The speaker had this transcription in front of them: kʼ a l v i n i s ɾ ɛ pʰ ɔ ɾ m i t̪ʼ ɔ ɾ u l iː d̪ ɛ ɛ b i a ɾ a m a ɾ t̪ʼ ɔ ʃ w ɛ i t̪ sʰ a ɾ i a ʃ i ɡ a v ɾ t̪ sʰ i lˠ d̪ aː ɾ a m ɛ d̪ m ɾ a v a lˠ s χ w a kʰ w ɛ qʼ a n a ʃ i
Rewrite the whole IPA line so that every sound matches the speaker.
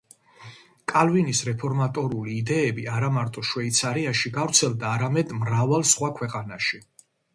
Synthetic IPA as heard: kʼ a l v i n i s ɾ ɛ pʰ ɔ ɾ m a t̪ʼ ɔ ɾ u l iː d̪ ɛ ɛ b i a ɾ a m a ɾ t̪ʼ ɔ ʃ w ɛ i t̪ sʰ a ɾ i a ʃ i ɡ a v ɾ t̪ sʰ ɛ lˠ d̪ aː ɾ a m ɛ d̪ m ɾ a v a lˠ s χ w a kʰ w ɛ qʼ a n a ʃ i